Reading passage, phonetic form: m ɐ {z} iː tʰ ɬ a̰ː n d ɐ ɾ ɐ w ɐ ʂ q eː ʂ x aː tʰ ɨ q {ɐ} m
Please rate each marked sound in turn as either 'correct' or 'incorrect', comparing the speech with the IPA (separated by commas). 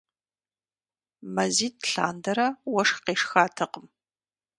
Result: correct, incorrect